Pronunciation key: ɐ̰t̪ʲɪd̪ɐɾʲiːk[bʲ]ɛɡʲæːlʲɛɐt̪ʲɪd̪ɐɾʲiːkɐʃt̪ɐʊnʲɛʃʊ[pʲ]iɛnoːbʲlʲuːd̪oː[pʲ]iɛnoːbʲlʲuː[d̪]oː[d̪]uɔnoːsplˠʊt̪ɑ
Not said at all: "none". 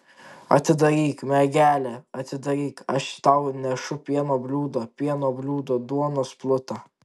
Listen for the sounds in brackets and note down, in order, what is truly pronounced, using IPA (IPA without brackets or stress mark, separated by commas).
mʲ, pʲ, pʲ, d̪, d̪